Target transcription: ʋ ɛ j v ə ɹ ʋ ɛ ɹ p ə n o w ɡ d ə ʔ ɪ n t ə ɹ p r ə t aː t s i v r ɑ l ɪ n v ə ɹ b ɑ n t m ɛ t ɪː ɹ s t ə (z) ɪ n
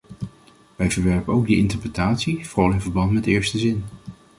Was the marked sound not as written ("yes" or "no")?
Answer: no